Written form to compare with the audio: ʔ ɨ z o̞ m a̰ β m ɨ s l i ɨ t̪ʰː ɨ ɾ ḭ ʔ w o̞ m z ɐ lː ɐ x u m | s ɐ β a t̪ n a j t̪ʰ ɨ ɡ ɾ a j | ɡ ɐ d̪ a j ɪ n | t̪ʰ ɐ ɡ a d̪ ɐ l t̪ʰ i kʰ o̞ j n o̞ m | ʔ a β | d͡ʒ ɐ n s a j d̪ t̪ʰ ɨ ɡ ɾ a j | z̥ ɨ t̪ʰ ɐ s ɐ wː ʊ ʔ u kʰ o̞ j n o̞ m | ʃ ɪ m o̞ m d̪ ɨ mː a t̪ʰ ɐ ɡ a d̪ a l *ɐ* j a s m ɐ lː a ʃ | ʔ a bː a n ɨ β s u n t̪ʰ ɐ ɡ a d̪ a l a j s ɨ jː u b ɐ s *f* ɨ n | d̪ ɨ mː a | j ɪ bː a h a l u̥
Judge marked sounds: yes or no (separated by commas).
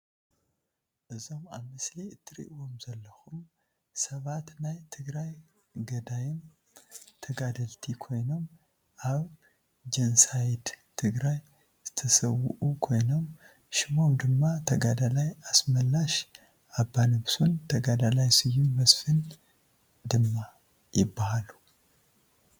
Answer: no, yes